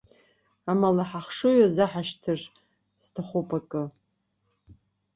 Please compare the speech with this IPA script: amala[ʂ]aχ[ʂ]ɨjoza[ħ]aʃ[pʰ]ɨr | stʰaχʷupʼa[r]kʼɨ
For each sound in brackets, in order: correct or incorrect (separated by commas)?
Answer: incorrect, correct, correct, incorrect, incorrect